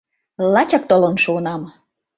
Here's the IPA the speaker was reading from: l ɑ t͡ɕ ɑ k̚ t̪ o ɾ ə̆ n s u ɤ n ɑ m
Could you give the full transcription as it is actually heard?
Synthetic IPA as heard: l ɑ t͡ɕ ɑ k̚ t̪ o l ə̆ n ʃ u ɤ n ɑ m